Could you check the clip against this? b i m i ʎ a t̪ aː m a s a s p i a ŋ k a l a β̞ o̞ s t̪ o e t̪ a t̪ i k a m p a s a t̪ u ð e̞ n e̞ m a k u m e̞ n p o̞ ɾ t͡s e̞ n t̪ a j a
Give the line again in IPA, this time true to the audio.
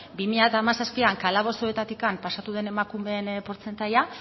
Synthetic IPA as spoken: b i m i ʎ a t̪ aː m a s a s p i a ŋ k a l a β̞ o̞ s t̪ o e t̪ a t̪ i k a m p a s a t̪ u ð e̞ n e̞ m a k u m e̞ n p o̞ ɾ t͡s e̞ n t̪ a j a